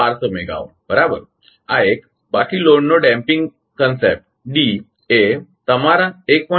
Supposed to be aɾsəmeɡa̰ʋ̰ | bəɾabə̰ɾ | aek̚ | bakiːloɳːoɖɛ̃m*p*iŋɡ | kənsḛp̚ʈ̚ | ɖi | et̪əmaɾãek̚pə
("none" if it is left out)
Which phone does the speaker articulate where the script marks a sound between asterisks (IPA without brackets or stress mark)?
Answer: p